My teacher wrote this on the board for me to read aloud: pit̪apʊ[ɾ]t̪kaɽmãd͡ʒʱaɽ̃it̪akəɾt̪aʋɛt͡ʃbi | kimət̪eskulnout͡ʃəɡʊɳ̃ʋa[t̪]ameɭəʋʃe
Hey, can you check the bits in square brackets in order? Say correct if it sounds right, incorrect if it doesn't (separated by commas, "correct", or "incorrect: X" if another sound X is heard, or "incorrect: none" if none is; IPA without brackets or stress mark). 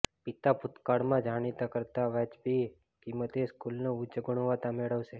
incorrect: none, correct